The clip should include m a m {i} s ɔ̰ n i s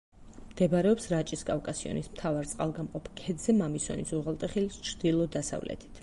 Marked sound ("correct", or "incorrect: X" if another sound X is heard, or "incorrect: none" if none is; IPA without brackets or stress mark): correct